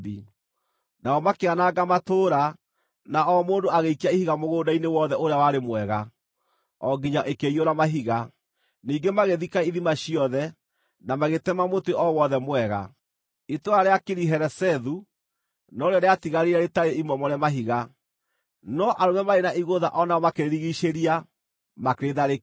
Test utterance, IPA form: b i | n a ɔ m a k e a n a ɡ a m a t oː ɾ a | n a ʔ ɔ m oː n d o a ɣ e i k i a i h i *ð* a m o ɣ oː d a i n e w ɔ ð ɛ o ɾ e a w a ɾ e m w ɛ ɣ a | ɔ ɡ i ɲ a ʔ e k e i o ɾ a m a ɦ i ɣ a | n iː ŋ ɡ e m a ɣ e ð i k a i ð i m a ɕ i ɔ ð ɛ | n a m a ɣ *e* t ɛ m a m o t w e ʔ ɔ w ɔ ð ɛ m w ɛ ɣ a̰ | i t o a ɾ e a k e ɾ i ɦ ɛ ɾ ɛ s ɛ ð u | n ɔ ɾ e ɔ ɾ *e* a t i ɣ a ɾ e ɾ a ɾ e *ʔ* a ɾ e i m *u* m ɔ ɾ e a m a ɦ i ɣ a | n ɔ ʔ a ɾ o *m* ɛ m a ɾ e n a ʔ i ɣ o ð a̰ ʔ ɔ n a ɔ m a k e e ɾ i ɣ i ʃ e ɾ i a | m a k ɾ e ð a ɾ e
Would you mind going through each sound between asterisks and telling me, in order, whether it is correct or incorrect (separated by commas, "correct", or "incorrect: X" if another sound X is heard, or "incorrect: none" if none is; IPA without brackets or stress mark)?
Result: incorrect: ɣ, correct, correct, incorrect: t, incorrect: ɔ, correct